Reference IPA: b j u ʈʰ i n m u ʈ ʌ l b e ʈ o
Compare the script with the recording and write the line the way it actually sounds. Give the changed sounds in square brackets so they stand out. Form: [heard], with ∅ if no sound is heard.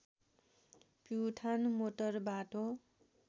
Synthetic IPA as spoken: [p] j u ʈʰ [a] n m [o] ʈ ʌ [r] b [a] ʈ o